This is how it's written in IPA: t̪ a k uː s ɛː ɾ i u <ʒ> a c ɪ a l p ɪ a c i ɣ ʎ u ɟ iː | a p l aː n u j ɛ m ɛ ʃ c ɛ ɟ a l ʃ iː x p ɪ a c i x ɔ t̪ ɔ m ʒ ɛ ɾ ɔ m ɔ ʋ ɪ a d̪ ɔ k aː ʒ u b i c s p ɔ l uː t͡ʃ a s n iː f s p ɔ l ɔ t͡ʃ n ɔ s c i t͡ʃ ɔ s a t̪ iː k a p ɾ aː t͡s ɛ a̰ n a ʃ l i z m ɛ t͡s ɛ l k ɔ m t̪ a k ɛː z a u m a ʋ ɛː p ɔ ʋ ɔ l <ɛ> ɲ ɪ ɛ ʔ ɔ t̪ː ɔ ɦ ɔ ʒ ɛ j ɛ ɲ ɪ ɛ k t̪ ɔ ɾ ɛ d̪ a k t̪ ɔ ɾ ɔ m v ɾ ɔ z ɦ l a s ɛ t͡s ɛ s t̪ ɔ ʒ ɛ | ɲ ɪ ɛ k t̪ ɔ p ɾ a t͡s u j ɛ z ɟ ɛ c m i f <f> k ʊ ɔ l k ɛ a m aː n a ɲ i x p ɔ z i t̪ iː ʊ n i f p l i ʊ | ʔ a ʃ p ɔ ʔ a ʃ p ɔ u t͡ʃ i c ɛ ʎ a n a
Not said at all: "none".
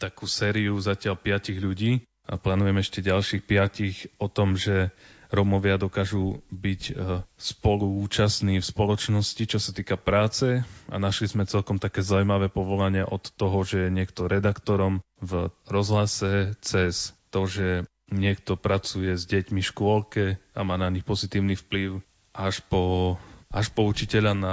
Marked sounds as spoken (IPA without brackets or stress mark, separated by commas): z, a, ʃ